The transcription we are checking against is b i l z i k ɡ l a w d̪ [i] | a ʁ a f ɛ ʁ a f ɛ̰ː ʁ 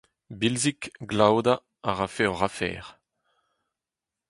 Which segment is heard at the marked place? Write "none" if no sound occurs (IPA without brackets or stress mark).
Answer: a